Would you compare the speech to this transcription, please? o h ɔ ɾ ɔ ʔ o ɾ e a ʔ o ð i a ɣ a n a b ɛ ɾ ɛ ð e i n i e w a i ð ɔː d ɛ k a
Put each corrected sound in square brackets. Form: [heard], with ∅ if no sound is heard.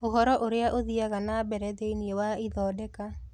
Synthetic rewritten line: o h ɔ ɾ ɔ ʔ o ɾ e a ʔ o ð i a ɣ a n a b ɛ ɾ ɛ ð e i n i e w a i ð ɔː d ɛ k a